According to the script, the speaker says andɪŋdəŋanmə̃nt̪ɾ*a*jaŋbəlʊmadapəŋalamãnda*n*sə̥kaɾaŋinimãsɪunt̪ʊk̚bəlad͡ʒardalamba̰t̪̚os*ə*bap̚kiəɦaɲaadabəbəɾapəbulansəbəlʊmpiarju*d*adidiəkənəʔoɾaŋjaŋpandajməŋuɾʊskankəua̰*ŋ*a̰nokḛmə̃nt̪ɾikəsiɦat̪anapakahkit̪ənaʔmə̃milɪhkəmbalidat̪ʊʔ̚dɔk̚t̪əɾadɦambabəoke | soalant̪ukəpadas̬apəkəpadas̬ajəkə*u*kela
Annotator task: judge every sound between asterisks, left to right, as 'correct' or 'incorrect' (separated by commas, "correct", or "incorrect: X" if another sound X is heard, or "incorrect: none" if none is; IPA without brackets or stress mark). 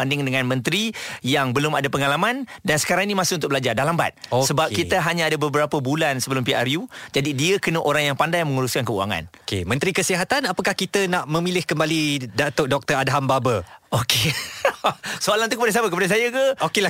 incorrect: i, correct, correct, incorrect: d͡ʒ, correct, incorrect: o